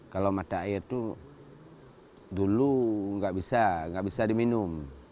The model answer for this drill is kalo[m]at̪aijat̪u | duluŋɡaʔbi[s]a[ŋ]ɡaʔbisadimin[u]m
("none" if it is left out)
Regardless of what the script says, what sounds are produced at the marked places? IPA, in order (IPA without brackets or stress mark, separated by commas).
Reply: m, s, ŋ, u